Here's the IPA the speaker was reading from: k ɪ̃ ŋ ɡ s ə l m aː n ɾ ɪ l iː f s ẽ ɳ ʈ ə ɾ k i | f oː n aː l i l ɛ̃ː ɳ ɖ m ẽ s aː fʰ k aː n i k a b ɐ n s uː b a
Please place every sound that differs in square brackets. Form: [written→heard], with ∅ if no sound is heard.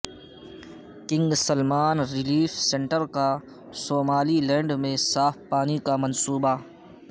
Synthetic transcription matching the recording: k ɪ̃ ŋ ɡ s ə l m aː n ɾ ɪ l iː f s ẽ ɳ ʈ ə ɾ k [i→a] | [f→s] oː [n→m] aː l i l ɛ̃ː ɳ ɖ m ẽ s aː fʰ [k→p] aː n i k a [b→m] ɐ n s uː b a